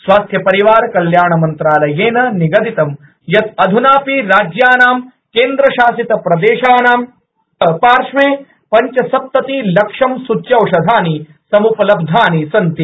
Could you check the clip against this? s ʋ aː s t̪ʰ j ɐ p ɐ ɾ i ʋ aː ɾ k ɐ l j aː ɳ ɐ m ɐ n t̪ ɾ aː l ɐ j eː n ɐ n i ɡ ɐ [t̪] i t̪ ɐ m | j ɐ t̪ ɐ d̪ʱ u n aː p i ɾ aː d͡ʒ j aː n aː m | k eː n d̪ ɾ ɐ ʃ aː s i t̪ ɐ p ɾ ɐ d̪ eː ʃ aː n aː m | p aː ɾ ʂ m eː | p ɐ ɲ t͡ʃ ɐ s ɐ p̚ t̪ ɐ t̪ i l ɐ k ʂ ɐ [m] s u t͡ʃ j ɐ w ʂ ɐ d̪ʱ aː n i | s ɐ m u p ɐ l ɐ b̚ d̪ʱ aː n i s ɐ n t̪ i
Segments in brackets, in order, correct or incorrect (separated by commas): incorrect, correct